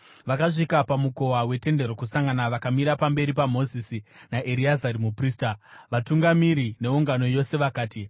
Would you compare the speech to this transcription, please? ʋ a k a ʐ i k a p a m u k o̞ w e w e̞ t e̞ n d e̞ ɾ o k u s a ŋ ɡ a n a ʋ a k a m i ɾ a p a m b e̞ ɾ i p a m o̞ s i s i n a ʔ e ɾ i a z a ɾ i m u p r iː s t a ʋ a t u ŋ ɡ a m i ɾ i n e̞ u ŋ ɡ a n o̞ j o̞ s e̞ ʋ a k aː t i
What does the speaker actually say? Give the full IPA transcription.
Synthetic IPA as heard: ʋ a k a ʐ i k a p a m u k o̞ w a w e̞ t e̞ n d e̞ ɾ o k u s a ŋ ɡ a n a ʋ a k a m i ɾ a p a m b e̞ ɾ i p a m o̞ z i s i n a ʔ e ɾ i a z a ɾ i m u p r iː s t a ʋ a t u ŋ ɡ a m i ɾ i n e̞ u ŋ ɡ a n o̞ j o̞ s e̞ ʋ a k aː t i